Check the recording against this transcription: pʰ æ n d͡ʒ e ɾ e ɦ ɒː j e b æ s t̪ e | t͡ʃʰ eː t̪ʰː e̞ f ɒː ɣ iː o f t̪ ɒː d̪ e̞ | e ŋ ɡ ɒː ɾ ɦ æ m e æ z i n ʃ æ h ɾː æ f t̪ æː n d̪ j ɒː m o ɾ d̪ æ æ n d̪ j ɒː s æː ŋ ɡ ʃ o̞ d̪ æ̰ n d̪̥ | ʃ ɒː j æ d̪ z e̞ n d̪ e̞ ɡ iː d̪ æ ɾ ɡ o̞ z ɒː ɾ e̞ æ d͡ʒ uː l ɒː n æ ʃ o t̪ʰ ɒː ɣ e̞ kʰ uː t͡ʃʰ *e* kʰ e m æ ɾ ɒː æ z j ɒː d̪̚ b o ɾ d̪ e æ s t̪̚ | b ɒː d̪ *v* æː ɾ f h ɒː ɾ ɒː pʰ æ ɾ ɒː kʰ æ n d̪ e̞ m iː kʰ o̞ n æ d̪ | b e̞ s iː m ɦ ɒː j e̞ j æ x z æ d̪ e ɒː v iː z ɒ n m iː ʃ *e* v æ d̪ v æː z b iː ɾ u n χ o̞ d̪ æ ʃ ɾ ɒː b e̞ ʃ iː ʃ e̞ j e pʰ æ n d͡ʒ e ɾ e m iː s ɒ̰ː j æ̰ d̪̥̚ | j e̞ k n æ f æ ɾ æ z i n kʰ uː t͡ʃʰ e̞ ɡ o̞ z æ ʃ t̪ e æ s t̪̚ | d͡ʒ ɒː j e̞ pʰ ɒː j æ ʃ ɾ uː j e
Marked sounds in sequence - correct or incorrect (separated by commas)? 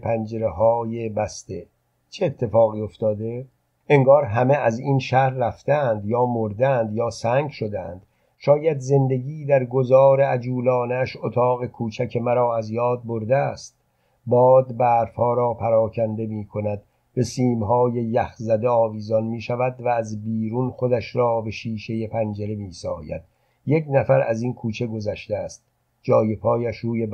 incorrect, incorrect, incorrect